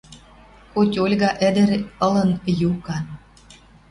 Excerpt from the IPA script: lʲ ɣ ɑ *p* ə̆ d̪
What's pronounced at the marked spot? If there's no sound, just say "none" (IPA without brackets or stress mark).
ʔ